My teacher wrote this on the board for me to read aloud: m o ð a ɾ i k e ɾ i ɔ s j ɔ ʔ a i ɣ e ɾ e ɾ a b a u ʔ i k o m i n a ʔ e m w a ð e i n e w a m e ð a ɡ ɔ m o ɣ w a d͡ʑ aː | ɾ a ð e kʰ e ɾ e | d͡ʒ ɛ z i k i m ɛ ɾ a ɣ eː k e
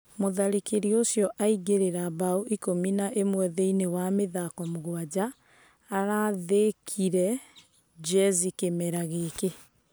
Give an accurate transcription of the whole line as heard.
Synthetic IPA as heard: m o ð a ɾ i k e ɾ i o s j ɔ ʔ a i ɣ e ɾ e ɾ a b a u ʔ i k o m i n a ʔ e m w ɛ ð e i n e w a m e ð a k ɔ m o ɣ w a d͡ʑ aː | ɾ a ð e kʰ i ɾ ɛ | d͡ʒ ɛ z i k e m ɛ ɾ a ɣ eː k e